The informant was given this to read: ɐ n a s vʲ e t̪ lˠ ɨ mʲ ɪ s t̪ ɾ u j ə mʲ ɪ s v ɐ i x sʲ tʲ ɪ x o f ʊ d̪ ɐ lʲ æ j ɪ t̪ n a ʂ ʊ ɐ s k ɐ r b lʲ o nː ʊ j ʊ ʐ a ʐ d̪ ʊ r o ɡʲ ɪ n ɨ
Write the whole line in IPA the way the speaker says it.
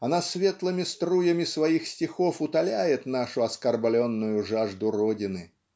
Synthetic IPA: ɐ n a s vʲ e t̪ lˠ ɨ mʲ ɪ s t̪ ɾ u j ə mʲ ɪ s v ɐ i x sʲ tʲ ɪ x o f ʊ t̪ ɐ lʲ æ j ɪ t̪ n a ʂ ʊ ɐ s k ɐ r b lʲ o nː ʊ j ʊ ʐ a ʐ d̪ ʊ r o dʲ ɪ n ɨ